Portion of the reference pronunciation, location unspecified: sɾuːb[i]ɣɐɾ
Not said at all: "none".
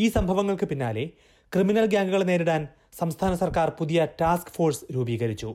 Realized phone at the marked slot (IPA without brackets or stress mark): iː